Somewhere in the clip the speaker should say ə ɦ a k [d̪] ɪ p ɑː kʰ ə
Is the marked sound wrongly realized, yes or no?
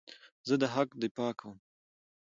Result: no